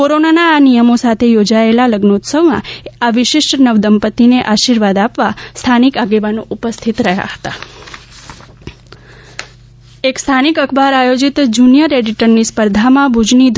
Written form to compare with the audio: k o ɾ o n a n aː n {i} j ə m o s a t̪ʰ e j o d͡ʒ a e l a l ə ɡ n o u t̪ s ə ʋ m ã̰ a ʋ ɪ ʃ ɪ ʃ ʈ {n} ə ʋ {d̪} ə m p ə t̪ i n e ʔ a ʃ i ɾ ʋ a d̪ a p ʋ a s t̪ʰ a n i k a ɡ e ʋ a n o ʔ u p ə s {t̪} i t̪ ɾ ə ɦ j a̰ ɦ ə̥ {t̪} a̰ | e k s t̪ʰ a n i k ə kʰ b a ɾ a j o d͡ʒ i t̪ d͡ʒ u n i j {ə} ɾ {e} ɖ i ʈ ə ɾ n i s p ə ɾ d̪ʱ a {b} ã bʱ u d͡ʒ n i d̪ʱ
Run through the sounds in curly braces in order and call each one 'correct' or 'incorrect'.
correct, correct, correct, incorrect: t̪ʰ, correct, correct, correct, incorrect: m

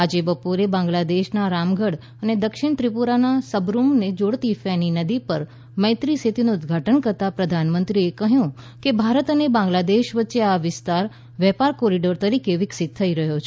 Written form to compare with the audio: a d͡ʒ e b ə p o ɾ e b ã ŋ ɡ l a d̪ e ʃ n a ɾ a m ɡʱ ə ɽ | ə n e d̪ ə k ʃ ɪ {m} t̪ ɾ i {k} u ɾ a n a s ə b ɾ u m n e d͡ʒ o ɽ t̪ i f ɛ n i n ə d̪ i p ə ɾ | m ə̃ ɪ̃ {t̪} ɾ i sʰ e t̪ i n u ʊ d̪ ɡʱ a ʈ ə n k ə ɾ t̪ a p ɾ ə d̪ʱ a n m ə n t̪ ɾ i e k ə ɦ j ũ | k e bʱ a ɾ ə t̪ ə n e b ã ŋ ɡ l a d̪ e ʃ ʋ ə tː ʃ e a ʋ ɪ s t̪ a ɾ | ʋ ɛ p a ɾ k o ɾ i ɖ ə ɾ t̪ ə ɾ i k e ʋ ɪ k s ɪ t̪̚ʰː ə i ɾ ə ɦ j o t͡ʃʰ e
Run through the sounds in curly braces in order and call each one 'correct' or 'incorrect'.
incorrect: ɳ, incorrect: p, correct

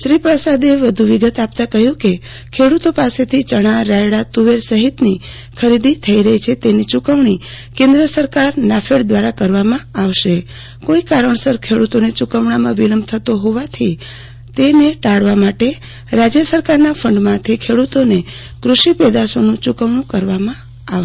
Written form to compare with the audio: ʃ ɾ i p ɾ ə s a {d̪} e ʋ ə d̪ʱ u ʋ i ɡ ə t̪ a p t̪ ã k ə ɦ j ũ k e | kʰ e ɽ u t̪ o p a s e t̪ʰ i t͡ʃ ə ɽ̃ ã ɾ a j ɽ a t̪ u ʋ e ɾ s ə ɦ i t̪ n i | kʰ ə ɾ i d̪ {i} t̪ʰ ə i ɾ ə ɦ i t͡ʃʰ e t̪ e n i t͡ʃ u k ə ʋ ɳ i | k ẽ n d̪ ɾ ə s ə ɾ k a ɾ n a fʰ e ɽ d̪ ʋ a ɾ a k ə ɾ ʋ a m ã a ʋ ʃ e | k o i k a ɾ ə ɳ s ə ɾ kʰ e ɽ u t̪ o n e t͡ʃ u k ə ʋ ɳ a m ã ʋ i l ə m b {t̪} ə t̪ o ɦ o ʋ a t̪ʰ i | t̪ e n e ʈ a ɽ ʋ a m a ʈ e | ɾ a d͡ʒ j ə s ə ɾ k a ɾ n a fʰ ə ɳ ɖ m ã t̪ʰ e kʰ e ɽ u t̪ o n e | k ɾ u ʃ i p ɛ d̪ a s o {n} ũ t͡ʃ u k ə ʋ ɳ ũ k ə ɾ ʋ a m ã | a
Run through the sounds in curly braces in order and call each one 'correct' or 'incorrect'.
correct, correct, incorrect: t̪ʰ, correct

